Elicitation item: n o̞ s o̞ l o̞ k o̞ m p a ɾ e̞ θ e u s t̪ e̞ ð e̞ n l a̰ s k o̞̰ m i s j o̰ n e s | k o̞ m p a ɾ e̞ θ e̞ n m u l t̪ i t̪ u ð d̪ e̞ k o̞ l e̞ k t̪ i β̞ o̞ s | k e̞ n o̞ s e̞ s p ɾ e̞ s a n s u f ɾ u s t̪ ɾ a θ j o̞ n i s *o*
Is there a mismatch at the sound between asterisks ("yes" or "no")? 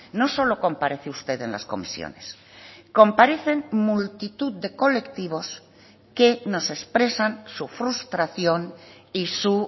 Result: yes